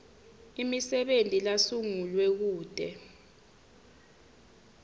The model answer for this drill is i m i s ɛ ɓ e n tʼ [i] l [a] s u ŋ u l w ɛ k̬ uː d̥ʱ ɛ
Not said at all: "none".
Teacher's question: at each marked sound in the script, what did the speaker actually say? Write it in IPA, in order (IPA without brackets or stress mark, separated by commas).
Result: i, a